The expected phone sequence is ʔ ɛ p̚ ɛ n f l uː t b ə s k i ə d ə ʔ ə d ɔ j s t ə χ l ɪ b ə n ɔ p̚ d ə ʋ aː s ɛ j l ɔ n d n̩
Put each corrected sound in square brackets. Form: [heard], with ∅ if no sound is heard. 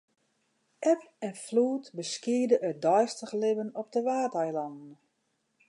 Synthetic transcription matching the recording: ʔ ɛ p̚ ɛ n f l uː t b ə s k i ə d ə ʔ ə d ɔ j s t ə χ l ɪ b ə n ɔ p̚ d ə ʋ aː [t] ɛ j l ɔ n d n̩